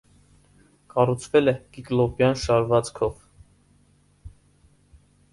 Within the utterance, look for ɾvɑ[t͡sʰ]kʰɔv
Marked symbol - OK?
no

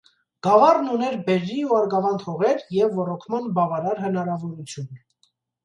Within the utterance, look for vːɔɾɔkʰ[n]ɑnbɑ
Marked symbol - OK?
no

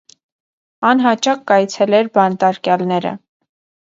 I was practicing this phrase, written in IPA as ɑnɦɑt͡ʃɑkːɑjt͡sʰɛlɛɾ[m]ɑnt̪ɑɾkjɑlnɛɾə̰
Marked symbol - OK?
no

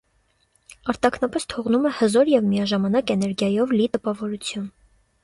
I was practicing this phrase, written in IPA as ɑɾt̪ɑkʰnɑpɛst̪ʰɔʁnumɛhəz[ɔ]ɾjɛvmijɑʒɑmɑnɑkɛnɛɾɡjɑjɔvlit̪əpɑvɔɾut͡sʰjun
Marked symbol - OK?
yes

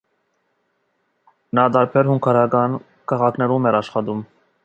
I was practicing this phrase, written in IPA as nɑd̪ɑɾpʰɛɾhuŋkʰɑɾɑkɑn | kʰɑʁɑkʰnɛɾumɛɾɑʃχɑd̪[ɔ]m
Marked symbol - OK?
no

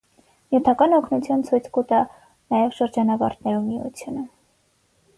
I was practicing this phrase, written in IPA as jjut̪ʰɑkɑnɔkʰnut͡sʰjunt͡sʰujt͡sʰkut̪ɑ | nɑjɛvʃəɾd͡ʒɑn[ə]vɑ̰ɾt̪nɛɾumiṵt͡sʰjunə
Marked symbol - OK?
no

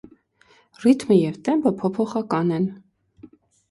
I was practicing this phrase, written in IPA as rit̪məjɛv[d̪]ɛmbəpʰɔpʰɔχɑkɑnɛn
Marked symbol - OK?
no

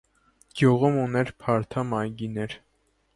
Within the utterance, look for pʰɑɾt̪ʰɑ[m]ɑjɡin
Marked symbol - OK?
yes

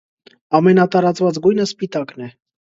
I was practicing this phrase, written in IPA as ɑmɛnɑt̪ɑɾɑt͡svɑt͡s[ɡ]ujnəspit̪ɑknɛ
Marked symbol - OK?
yes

